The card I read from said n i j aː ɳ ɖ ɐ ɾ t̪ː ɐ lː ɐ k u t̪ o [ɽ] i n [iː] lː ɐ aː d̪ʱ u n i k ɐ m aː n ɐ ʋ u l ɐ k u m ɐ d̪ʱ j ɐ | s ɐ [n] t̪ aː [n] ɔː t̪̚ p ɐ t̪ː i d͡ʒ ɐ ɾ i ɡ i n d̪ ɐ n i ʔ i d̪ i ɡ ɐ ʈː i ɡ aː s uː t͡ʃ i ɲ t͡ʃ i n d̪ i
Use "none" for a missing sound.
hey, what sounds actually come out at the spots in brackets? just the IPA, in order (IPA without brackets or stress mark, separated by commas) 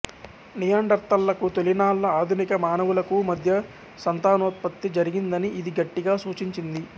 l, aː, n, n